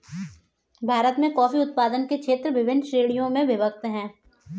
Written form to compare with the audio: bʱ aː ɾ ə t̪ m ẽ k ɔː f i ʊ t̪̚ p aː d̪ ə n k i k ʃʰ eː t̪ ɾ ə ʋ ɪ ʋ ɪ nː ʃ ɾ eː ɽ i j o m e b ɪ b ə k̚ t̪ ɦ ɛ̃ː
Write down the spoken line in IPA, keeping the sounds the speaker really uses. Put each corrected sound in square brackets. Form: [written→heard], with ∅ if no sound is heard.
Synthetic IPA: bʱ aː ɾ ə t̪ m ẽ k ɔː f i ʊ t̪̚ p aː d̪ ə n k [i→e] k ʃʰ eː t̪ ɾ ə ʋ ɪ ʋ ɪ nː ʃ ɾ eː ɽ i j [o→õ] m [e→ẽ] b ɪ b ə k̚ t̪ ɦ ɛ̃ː